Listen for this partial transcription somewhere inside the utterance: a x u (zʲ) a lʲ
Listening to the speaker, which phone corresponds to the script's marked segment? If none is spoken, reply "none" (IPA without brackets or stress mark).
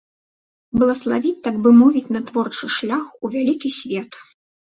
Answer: vʲ